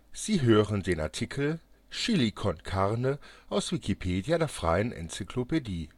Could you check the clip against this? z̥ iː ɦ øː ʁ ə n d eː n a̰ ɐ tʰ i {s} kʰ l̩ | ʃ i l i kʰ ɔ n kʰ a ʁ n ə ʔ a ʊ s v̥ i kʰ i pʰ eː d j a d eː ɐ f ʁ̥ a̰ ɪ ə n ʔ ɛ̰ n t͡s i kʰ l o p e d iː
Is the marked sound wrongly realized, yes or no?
yes